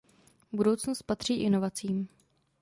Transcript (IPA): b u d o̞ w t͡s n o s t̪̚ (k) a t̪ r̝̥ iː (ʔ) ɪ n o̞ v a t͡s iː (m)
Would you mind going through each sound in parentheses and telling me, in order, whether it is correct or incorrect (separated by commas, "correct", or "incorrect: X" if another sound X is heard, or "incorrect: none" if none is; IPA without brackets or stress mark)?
incorrect: p, correct, correct